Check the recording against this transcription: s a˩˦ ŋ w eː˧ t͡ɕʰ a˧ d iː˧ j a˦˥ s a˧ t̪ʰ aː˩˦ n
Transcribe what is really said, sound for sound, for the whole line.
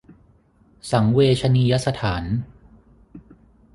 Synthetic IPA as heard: s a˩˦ ŋ w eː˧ t͡ɕʰ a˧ n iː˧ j a˦˥ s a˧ t̪ʰ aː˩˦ n